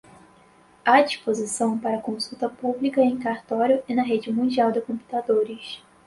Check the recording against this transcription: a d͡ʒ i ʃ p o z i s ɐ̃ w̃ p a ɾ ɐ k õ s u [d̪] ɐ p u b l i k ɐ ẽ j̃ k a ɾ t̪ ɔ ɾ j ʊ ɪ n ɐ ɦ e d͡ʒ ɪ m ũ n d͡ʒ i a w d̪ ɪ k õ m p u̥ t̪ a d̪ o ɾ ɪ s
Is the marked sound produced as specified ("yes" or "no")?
no